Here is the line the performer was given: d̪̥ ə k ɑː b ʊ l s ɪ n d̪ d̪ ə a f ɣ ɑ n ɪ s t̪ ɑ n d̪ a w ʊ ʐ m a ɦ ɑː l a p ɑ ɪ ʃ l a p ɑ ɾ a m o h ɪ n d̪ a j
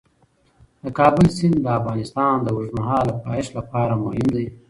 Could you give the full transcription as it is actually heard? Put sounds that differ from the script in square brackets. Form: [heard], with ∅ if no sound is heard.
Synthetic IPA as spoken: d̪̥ ə k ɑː b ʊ l s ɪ n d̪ d̪ ə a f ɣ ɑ n ɪ s t̪ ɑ n d̪ [ə] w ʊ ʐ m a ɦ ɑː l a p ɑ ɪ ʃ l a p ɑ ɾ a m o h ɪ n d̪ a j